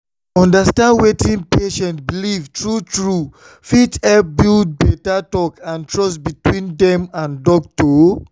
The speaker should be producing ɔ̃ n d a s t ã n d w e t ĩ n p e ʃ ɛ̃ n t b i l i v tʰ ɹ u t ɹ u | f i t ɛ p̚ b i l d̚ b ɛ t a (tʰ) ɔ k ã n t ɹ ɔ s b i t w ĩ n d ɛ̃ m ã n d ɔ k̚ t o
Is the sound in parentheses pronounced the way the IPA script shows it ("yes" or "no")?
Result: no